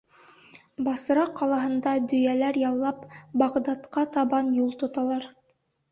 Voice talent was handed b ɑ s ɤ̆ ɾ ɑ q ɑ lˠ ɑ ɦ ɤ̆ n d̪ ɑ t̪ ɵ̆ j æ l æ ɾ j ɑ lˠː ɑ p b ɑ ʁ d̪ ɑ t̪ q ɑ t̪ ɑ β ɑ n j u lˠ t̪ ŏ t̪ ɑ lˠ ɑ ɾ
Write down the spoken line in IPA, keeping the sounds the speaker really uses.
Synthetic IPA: b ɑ s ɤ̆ ɾ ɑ q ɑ lˠ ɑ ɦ ɤ̆ n d̪ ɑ d̪ ɵ̆ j æ l æ ɾ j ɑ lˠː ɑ p b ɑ ʁ d̪ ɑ t̪ q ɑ t̪ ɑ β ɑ n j u lˠ t̪ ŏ t̪ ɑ lˠ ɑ ɾ